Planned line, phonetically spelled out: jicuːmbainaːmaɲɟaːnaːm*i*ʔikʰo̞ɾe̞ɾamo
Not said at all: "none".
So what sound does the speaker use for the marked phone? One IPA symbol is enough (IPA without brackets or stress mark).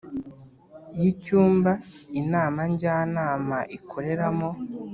a